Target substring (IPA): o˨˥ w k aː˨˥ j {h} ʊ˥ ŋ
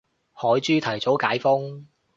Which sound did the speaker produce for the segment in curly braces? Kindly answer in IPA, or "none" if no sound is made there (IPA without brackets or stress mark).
f